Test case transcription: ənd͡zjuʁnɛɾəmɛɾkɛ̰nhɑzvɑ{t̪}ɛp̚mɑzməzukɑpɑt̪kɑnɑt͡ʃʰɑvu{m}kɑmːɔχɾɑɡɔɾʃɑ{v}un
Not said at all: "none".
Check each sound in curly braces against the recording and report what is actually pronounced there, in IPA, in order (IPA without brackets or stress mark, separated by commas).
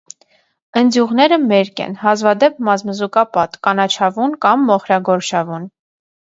d̪, n, v